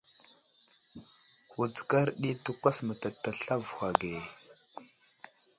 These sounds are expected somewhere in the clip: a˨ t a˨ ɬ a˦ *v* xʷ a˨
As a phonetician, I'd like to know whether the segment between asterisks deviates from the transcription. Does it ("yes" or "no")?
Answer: no